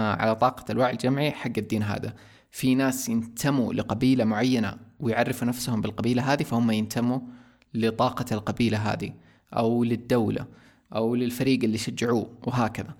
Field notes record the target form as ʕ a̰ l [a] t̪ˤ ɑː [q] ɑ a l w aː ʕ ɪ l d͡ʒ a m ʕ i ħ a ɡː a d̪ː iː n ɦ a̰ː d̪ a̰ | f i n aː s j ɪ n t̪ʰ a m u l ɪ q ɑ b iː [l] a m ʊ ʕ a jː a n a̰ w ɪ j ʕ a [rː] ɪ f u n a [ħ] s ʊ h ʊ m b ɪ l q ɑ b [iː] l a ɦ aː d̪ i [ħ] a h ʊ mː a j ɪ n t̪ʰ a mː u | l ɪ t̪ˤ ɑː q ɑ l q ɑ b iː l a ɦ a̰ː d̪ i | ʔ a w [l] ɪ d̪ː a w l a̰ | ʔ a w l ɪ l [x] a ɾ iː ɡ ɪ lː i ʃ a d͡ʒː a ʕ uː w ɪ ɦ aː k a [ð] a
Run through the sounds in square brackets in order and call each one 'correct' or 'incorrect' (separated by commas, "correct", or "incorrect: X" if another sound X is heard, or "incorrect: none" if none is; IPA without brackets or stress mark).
correct, correct, correct, correct, incorrect: f, correct, incorrect: f, correct, incorrect: f, correct